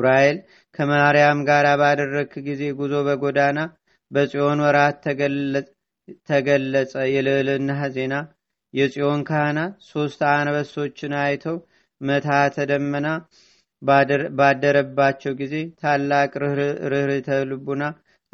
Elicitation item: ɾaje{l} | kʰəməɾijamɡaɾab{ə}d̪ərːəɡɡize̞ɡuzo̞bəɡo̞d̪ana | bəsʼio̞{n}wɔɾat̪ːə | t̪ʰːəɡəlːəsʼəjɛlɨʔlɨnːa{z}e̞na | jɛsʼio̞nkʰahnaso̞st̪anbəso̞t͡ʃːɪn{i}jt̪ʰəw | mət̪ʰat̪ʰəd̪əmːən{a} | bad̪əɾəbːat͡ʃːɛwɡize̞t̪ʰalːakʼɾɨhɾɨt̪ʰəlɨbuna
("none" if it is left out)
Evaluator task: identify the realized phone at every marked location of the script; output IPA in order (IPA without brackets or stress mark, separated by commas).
l, a, n, z, a, a